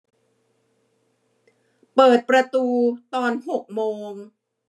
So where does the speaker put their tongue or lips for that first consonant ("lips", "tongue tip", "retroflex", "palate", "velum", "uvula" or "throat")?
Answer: lips